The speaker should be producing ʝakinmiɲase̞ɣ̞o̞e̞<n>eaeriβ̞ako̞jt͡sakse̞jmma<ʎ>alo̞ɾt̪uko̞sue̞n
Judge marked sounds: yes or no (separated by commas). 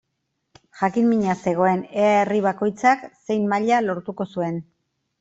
yes, yes